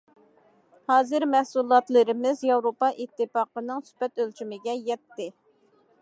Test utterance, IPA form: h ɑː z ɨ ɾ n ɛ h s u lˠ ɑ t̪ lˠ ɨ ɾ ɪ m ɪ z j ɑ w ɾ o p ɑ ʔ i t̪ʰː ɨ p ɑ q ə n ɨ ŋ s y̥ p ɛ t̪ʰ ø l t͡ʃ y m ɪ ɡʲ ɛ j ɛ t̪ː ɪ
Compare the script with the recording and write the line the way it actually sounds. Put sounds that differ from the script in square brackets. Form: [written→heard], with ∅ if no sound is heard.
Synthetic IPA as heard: h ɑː z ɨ ɾ [n→m] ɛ h s u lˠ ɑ t̪ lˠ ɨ ɾ ɪ m ɪ z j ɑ w ɾ o p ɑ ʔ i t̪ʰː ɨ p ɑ q ə n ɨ ŋ s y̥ p ɛ [t̪ʰ→t̪] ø l t͡ʃ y m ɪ ɡʲ ɛ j ɛ t̪ː ɪ

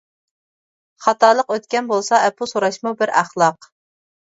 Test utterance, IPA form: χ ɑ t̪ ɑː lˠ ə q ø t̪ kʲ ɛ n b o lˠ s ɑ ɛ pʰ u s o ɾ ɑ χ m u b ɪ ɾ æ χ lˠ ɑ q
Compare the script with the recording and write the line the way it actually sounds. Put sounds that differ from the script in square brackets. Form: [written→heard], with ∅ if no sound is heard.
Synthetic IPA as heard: χ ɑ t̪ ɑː lˠ ə q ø t̪ kʲ ɛ n b o lˠ s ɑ ɛ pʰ u s o ɾ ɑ [χ→ʃ] m u b ɪ ɾ æ χ lˠ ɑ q

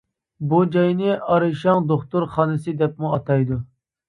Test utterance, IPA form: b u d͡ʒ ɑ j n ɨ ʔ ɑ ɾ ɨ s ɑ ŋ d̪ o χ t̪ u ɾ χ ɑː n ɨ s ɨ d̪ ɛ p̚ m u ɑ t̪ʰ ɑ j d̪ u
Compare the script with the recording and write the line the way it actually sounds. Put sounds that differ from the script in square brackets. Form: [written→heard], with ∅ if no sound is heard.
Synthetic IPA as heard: b u d͡ʒ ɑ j n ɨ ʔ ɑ ɾ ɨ [s→ʃ] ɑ ŋ d̪ o χ t̪ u ɾ χ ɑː n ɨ s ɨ d̪ ɛ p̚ m u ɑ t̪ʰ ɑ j d̪ u

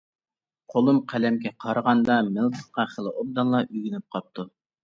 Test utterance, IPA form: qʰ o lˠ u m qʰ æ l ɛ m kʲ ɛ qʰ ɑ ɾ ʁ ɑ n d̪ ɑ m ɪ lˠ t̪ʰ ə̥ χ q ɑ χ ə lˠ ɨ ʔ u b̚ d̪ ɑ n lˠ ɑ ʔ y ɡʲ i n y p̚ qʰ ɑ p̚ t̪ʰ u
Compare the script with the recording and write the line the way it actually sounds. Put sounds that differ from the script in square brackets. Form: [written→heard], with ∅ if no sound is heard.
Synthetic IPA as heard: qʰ o lˠ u m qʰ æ l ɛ m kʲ ɛ qʰ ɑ ɾ ʁ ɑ n d̪ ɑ m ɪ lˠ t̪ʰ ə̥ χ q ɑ χ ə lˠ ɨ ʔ [u→o] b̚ d̪ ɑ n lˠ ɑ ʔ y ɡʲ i n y p̚ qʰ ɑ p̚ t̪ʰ u

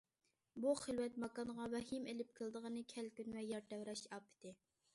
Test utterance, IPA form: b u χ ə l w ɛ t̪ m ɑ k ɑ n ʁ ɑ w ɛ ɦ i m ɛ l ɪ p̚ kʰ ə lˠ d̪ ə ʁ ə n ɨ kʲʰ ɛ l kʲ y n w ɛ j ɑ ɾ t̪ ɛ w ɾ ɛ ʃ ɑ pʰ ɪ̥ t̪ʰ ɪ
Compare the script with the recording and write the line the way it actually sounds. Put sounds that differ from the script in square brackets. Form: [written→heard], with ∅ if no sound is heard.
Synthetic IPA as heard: b u χ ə l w ɛ t̪ m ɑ k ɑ n ʁ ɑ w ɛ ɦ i m [ɛ→e] l ɪ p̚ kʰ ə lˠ d̪ ə ʁ ə n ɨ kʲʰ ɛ l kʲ y n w ɛ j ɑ ɾ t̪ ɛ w ɾ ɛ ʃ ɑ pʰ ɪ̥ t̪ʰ ɪ

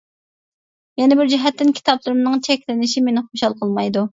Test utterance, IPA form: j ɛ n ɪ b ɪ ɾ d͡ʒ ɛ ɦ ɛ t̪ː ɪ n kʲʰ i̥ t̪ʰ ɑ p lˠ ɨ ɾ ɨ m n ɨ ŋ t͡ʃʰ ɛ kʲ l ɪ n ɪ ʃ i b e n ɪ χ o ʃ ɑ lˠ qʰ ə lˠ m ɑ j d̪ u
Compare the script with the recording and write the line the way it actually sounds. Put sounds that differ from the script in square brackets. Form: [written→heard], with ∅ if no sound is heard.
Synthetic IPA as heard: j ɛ n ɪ b ɪ ɾ d͡ʒ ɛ ɦ ɛ t̪ː ɪ n kʲʰ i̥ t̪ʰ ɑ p lˠ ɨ ɾ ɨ m n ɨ ŋ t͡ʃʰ ɛ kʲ l ɪ n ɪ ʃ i [b→m] e n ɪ χ o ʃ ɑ lˠ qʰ ə lˠ m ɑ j d̪ u

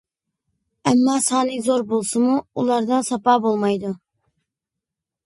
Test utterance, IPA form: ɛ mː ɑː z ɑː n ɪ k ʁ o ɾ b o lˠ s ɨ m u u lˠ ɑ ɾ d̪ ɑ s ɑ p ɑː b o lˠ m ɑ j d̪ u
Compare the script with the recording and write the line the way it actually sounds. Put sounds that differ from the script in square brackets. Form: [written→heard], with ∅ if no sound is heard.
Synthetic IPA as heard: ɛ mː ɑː [z→s] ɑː n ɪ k [ʁ→z] o ɾ b o lˠ s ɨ m u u lˠ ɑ ɾ d̪ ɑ s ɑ p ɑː b o lˠ m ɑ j d̪ u

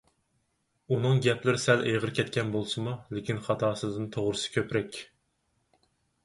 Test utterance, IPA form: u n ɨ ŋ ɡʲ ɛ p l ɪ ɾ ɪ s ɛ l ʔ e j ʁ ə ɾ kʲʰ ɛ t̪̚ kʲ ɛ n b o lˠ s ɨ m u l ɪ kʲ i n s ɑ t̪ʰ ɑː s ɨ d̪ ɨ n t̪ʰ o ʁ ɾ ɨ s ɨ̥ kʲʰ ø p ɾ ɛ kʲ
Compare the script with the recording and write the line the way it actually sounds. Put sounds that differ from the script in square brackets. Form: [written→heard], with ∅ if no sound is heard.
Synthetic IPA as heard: u n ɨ ŋ ɡʲ ɛ p l ɪ ɾ ɪ s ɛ l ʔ e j ʁ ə ɾ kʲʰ ɛ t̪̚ kʲ ɛ n b o lˠ s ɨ m u l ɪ kʲ i n [s→χ] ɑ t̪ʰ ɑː s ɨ d̪ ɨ n t̪ʰ o ʁ ɾ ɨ s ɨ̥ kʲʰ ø p ɾ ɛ kʲ

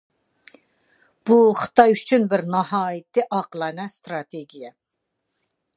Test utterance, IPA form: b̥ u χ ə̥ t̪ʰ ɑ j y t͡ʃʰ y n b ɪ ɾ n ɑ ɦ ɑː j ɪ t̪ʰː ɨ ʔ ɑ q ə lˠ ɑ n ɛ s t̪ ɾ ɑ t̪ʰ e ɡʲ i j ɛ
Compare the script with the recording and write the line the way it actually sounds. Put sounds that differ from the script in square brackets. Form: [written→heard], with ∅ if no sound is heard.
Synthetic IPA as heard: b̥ u χ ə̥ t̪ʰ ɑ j y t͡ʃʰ y n b ɪ ɾ n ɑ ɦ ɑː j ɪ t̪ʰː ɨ ʔ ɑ q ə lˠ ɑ n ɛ s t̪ ɾ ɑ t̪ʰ e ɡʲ i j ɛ

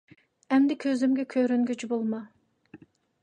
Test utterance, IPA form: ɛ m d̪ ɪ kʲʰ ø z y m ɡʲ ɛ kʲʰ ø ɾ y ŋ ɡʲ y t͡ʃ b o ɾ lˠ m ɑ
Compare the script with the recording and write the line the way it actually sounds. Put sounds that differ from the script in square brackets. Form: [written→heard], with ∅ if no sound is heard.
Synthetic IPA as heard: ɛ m d̪ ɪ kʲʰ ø z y m ɡʲ ɛ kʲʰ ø ɾ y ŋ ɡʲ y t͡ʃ b o [ɾ→∅] lˠ m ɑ

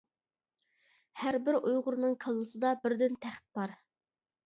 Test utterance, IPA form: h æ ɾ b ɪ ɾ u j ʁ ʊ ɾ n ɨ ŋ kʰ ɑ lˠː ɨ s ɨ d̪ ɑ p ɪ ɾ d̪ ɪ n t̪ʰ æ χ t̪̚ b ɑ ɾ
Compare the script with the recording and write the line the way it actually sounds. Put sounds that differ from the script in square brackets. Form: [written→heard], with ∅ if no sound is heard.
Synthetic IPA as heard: h æ ɾ b ɪ ɾ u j ʁ ʊ ɾ n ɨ ŋ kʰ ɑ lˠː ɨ s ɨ d̪ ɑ [p→b] ɪ ɾ d̪ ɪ n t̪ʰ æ χ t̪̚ b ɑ ɾ

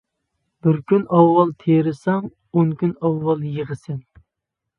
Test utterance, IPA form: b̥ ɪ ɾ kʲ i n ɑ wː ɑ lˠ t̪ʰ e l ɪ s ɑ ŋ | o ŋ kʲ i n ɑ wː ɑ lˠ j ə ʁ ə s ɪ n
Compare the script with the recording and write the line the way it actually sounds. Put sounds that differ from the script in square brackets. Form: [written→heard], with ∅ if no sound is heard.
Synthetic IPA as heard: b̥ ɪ ɾ kʲ [i→y] n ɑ wː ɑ lˠ t̪ʰ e [l→ɾ] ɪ s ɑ ŋ | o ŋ kʲ [i→y] n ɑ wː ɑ lˠ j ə ʁ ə s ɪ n

